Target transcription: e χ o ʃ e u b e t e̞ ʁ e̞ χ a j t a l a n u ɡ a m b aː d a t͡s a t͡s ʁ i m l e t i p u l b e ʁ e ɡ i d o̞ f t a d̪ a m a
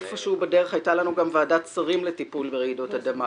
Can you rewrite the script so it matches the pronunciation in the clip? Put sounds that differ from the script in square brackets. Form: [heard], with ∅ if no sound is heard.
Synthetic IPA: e [f] o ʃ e u b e [d] e̞ ʁ e̞ χ a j t a l a n u ɡ a m [v] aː d a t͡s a [∅] ʁ i m l e t i p u l b e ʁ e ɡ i d o̞ [∅] t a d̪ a m a